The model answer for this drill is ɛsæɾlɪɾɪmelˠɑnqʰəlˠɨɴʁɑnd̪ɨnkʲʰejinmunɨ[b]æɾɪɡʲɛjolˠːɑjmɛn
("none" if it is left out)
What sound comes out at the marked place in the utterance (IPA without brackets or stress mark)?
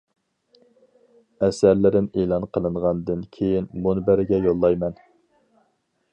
b